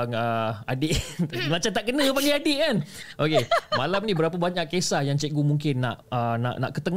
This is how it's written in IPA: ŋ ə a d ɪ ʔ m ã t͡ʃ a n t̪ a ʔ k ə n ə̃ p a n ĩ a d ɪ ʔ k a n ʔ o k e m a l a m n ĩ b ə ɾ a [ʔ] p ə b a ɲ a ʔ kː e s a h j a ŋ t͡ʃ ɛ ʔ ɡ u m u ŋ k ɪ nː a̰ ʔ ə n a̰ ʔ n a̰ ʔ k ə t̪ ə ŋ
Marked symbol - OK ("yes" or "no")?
no